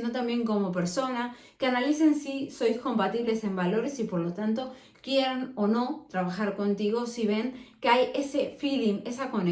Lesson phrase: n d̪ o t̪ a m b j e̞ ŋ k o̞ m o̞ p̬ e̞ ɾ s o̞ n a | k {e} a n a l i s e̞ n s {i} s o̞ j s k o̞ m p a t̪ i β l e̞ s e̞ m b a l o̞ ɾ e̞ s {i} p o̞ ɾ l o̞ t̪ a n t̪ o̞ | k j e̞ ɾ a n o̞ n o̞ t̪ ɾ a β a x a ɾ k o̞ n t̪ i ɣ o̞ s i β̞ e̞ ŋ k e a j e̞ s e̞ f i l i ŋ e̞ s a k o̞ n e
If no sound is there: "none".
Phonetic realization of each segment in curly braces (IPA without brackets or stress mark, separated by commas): e, i, i